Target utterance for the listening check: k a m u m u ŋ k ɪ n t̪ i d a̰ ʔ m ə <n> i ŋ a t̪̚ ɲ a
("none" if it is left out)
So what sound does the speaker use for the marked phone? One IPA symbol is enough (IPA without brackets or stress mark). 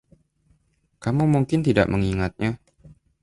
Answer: ŋ